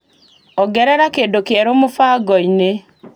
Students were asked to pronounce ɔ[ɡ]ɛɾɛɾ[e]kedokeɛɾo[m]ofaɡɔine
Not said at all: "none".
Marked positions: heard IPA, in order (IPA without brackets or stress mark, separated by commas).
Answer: ɡ, a, m